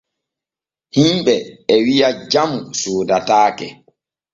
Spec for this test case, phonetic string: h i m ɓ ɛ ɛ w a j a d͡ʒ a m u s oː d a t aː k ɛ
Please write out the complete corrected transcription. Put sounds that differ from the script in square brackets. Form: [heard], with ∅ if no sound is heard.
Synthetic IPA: h i m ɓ ɛ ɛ w [i] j a d͡ʒ a m u s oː d a t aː k ɛ